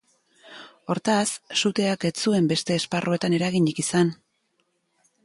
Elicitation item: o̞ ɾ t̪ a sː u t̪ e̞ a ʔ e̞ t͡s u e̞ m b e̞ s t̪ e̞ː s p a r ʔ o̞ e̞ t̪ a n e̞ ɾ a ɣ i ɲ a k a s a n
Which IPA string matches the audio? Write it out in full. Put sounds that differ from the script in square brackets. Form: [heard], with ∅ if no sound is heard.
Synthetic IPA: o̞ ɾ t̪ a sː u t̪ e̞ a [k] e̞ t͡s u e̞ m b e̞ s t̪ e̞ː s p a r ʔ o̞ e̞ t̪ a n e̞ ɾ a ɣ i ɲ [i] k [i] s a n